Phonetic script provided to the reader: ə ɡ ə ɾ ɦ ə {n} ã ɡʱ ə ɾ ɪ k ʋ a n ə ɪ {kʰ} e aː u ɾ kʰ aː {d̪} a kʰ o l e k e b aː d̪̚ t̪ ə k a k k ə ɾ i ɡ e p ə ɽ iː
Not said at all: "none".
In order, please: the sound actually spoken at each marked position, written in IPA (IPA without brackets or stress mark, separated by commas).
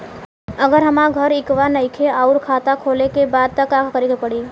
m, kʰ, t̪